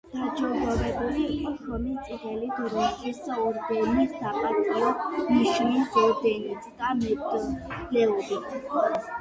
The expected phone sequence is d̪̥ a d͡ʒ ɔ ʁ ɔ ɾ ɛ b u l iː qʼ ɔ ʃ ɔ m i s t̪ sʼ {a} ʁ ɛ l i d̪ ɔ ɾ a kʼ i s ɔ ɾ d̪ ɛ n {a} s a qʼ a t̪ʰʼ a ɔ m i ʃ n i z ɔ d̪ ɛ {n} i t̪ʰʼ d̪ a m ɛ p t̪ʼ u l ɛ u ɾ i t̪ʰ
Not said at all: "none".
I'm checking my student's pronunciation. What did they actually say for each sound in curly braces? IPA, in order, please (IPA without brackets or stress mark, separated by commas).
i, i, n